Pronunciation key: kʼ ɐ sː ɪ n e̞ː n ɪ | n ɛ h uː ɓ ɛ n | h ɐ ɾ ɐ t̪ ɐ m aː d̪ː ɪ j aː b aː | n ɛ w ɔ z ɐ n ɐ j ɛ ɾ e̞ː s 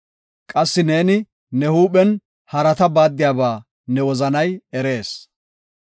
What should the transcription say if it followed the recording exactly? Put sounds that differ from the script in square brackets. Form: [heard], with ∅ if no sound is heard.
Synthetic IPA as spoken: kʼ ɐ sː ɪ n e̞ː n ɪ | n ɛ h uː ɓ ɛ n | h ɐ ɾ ɐ t̪ ɐ [b] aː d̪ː ɪ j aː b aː | n ɛ w ɔ z ɐ n ɐ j ɛ ɾ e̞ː s